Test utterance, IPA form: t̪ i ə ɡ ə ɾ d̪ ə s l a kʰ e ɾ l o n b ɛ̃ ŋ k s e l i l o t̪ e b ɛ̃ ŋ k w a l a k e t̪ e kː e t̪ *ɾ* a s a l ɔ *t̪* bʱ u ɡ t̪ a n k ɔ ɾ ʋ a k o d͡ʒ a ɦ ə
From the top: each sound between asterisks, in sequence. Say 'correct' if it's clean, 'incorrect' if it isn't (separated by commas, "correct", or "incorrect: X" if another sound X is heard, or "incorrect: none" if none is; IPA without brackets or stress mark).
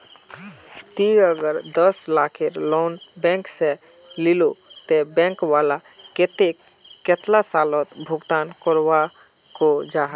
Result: incorrect: l, correct